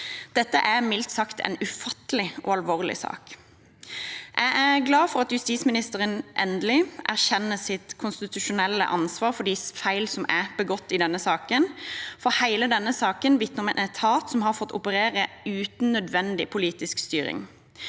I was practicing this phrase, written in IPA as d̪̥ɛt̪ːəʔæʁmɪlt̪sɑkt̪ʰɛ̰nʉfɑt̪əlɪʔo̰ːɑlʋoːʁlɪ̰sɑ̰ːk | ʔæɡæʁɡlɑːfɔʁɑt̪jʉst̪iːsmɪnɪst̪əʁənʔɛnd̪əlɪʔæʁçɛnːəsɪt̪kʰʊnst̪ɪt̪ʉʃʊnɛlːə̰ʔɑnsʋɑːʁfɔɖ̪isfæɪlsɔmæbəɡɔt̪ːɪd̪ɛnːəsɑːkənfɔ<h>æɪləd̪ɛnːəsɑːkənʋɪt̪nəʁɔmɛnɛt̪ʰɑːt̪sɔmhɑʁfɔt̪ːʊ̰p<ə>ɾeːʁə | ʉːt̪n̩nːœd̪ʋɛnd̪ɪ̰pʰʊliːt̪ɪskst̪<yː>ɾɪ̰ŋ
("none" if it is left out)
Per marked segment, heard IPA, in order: h, ə, yː

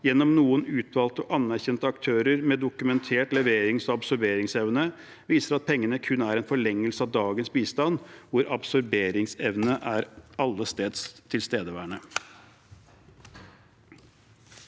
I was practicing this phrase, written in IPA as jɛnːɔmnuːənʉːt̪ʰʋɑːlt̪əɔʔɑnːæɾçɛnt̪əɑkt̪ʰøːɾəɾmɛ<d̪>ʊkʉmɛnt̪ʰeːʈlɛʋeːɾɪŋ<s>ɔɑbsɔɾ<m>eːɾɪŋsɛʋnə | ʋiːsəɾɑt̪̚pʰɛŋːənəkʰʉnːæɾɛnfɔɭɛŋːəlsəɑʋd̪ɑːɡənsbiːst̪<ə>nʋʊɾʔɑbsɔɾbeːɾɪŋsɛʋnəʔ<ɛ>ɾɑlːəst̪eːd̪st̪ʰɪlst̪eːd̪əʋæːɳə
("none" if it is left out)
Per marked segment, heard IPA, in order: d̪, s, b, ɑ, æ

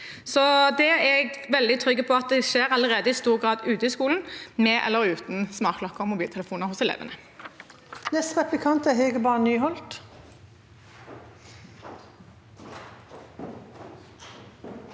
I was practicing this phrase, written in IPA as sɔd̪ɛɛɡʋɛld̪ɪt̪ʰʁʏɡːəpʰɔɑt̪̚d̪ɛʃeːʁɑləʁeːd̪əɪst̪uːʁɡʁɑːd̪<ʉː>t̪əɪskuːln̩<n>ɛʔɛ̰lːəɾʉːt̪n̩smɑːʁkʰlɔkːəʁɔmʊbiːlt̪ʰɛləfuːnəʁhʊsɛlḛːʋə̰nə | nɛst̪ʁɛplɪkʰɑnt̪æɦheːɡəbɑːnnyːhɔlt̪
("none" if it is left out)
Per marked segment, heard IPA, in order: ʉː, m

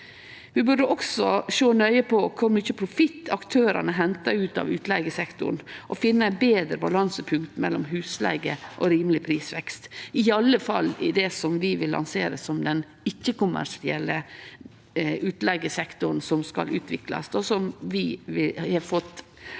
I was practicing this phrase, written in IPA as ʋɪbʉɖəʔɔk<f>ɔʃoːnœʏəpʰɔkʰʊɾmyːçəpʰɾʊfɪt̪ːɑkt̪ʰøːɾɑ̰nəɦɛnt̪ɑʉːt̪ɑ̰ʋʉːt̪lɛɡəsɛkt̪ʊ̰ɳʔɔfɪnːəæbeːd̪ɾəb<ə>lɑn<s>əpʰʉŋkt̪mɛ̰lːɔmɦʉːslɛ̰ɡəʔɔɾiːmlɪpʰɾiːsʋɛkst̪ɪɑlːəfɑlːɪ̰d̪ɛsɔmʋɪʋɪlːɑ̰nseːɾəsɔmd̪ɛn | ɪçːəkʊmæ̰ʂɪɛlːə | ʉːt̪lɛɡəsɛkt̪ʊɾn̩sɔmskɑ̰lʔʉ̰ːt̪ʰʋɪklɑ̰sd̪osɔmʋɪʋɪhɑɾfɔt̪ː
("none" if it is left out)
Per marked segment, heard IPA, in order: s, ɑ, s

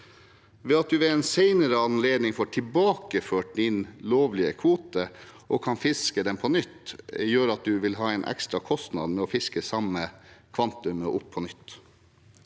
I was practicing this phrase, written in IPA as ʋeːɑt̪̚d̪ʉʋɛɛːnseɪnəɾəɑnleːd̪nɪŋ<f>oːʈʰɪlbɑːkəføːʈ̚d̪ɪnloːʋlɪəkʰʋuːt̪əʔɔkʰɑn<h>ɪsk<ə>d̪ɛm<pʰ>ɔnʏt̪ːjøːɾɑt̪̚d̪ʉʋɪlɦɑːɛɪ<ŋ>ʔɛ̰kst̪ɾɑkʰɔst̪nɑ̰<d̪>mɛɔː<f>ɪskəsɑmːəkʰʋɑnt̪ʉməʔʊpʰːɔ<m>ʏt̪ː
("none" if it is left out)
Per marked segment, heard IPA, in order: f, f, ə, pʰ, n, d̪, f, n

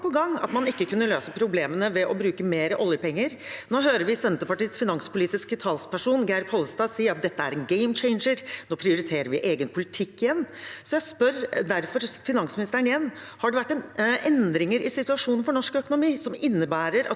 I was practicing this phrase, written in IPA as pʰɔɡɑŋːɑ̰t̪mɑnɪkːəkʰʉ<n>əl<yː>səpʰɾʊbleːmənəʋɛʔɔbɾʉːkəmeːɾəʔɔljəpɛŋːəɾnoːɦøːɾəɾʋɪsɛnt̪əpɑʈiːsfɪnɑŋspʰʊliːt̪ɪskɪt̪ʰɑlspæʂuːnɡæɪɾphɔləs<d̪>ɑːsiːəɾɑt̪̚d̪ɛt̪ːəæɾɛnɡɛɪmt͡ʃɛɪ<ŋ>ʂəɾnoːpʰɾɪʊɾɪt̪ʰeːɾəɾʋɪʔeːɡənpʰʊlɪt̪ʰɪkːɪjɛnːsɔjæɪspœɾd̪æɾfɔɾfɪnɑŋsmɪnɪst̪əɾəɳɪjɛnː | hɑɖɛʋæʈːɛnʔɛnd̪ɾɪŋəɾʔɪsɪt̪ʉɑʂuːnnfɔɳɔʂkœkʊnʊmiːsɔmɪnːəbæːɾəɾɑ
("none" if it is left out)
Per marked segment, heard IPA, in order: nː, øː, t̪, n

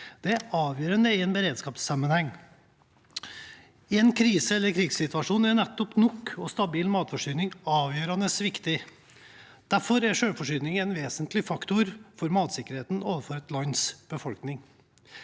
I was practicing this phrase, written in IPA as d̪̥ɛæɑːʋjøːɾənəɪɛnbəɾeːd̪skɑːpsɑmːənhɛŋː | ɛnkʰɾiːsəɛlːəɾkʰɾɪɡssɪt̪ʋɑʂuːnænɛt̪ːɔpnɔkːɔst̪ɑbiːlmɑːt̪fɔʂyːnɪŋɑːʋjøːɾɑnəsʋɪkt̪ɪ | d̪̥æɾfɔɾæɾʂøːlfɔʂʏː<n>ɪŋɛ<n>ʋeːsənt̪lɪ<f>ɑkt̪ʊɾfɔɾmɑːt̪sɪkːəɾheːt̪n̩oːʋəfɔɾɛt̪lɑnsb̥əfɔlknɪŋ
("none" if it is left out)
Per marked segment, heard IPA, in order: n, n, f

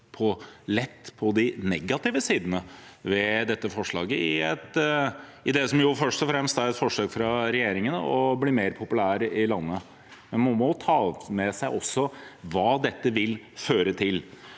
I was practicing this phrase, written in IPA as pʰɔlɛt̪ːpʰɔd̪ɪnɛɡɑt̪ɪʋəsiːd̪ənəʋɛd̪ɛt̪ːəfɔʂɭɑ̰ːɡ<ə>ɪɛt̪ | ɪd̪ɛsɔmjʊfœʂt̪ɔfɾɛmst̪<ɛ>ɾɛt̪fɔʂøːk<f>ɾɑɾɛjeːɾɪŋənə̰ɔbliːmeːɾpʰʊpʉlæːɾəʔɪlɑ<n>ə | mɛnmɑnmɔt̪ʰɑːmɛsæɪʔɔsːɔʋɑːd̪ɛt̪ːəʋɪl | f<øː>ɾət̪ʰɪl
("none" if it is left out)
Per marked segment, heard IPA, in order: ə, æ, f, nː, øː

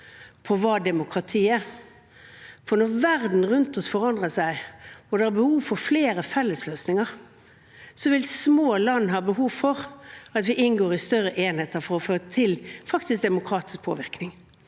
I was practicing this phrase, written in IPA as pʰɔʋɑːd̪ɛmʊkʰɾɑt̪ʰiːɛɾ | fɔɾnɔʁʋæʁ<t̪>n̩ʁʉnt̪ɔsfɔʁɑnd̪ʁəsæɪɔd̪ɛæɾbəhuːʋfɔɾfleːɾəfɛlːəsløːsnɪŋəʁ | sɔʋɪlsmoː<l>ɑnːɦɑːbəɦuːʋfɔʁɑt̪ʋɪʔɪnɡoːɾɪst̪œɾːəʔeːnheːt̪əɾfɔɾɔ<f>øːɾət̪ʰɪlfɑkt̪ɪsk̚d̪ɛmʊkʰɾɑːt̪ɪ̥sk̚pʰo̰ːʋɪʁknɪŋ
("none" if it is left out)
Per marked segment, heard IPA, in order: d̪, l, f

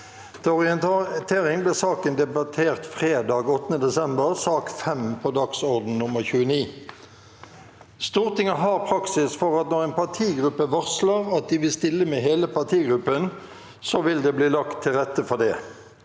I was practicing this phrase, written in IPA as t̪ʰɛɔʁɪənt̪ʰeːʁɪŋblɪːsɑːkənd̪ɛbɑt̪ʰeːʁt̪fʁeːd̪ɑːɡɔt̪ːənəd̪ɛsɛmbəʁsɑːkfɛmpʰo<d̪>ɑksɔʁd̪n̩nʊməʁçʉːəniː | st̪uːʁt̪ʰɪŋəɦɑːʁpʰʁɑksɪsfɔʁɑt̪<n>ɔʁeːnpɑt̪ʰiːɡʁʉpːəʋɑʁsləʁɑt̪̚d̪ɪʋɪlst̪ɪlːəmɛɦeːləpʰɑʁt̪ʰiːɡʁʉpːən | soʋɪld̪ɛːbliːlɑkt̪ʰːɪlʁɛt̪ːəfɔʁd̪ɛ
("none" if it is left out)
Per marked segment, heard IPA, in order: d̪, n

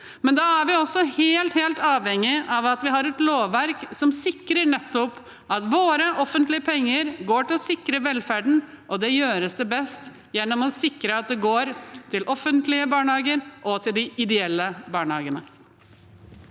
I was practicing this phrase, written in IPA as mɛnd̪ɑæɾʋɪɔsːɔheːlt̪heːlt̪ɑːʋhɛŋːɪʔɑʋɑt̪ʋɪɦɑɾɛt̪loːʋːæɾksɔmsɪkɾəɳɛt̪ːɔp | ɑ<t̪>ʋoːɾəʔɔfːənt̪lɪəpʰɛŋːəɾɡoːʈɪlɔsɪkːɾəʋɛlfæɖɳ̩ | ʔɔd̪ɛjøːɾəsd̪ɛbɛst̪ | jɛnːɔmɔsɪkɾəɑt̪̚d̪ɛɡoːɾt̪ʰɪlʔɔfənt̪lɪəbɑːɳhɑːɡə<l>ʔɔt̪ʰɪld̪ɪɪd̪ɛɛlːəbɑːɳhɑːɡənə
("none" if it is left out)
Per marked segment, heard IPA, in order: t̪, ɾ

